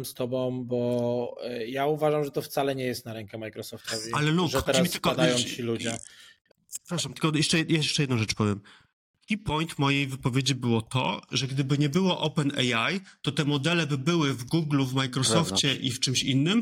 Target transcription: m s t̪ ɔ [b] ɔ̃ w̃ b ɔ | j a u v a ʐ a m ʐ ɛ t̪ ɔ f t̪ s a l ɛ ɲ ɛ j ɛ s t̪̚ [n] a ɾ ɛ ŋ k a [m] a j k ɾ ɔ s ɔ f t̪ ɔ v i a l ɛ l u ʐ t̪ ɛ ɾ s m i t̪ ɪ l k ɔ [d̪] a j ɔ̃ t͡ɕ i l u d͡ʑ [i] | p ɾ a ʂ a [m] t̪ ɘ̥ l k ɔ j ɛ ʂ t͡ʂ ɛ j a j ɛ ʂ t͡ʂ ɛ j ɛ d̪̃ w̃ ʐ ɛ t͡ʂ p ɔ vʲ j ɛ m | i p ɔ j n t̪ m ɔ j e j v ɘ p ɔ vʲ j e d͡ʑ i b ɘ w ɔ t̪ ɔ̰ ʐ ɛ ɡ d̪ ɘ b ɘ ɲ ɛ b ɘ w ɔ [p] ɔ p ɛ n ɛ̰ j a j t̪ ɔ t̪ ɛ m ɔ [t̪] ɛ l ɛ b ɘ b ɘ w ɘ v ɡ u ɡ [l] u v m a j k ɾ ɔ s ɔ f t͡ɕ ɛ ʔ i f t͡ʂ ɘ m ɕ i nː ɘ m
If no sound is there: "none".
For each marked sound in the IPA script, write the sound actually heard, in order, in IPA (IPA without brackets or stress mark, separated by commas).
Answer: b, n, m, d̪, ɛ, m, ʔ, d̪, l